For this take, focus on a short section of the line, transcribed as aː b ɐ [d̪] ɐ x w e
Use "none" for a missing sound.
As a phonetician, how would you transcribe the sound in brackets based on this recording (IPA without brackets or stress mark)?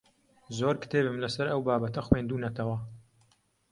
t̪